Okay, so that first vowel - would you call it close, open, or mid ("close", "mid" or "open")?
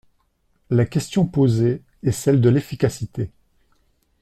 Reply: open